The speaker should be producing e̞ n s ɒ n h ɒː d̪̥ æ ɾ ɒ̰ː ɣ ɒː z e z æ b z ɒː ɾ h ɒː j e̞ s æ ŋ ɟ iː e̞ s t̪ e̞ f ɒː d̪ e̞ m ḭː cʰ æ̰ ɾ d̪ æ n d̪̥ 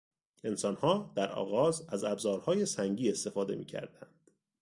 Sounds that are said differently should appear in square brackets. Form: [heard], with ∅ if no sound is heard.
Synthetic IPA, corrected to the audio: e̞ n s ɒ n h ɒː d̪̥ æ ɾ ɒ̰ː ɣ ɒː z [æ] z æ b z ɒː ɾ h ɒː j e̞ s æ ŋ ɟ iː e̞ s t̪ e̞ f ɒː d̪ e̞ m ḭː cʰ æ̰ ɾ d̪ æ n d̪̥